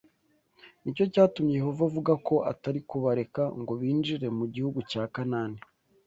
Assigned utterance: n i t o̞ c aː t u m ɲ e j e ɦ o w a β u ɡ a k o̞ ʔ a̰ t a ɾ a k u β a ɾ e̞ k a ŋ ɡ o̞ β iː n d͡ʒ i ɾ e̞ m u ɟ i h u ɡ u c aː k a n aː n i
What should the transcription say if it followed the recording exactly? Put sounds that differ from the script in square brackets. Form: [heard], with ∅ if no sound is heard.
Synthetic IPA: n i [c] o̞ c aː t u m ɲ e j e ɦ o [v] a [v] u ɡ a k o̞ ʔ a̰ t a ɾ [i] k u β a ɾ e̞ k a ŋ ɡ o̞ β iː n d͡ʒ i ɾ e̞ m u ɟ i h u ɡ u c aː k a n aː n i